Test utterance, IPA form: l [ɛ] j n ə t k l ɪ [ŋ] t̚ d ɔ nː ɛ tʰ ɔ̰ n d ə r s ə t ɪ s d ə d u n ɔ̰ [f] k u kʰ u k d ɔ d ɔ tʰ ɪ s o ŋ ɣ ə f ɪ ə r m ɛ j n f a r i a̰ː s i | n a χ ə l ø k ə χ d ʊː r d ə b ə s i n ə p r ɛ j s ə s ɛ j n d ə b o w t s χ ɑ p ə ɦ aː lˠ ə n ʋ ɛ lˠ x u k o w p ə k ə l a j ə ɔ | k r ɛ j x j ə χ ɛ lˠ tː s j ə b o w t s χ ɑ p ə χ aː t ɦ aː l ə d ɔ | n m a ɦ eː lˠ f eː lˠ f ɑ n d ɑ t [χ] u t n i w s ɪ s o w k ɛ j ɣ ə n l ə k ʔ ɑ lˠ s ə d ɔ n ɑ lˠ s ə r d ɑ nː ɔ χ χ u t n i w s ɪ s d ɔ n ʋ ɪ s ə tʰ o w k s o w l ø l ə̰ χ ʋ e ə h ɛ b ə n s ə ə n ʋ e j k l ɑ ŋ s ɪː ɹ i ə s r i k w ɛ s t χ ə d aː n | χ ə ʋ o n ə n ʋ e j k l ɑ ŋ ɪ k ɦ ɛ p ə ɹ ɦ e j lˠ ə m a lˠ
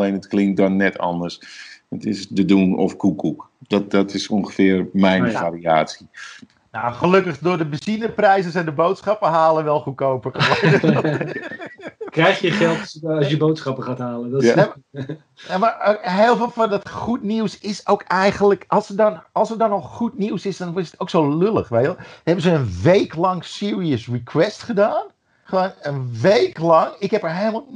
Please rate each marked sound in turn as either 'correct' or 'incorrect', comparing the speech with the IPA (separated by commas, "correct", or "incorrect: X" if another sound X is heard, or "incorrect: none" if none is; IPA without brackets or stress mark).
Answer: incorrect: e, correct, correct, correct